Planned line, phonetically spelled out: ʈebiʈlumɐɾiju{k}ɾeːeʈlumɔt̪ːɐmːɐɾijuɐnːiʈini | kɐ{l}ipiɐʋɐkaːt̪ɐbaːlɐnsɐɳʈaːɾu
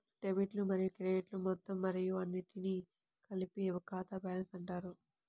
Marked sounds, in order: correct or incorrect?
correct, correct

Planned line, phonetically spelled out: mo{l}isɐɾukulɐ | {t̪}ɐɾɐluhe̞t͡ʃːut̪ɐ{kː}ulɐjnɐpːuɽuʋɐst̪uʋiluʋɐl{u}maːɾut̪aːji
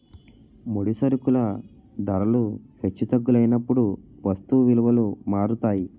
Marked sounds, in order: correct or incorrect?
incorrect, incorrect, incorrect, correct

